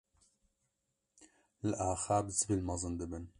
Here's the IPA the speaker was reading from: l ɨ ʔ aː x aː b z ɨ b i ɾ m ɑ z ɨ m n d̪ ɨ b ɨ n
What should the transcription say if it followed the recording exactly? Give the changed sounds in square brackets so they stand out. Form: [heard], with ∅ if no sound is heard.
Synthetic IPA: l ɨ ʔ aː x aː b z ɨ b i [l] m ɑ z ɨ [∅] n d̪ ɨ b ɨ n